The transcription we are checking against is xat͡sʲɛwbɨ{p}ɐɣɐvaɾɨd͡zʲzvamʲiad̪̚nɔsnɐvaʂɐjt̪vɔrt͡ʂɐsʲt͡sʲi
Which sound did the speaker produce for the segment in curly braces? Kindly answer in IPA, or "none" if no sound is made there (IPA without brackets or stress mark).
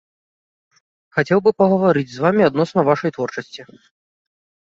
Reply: p